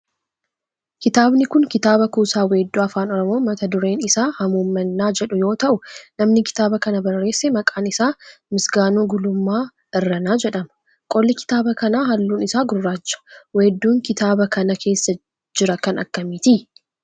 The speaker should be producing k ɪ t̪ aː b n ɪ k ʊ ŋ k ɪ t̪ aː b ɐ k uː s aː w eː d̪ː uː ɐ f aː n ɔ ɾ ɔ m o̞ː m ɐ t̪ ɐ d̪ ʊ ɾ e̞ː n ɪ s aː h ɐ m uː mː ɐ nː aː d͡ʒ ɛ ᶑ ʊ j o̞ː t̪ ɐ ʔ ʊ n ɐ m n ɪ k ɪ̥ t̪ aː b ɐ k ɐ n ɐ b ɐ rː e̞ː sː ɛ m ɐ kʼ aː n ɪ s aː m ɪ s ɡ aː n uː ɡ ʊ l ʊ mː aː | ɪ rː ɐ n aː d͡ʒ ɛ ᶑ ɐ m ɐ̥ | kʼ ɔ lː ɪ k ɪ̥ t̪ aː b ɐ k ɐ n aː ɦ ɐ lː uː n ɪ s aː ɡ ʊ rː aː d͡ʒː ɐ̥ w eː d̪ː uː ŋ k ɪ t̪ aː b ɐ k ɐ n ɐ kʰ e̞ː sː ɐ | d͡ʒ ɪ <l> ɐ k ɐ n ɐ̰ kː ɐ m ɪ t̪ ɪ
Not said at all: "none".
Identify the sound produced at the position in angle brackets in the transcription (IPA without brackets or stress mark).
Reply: ɾ